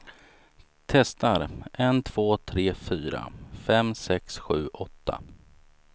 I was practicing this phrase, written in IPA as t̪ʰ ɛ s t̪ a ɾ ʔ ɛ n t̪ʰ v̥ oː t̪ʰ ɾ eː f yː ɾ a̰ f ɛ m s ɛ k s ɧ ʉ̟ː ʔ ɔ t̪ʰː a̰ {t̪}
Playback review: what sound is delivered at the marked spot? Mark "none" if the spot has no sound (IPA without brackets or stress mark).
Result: none